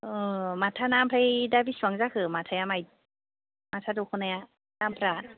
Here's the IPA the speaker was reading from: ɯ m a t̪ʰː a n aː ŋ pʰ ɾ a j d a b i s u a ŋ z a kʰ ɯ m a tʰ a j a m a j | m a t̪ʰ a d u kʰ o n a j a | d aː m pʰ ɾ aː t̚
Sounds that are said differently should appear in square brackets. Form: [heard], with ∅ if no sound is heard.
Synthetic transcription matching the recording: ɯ m a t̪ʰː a n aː [m] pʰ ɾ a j d a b i s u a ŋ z a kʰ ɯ m a tʰ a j a m a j | m a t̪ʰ a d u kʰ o n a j a | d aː m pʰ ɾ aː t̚